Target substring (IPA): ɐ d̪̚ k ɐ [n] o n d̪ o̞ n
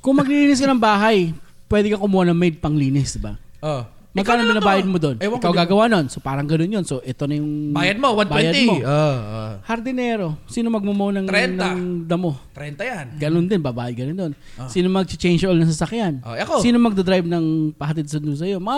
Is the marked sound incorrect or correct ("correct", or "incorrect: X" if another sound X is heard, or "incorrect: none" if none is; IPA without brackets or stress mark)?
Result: correct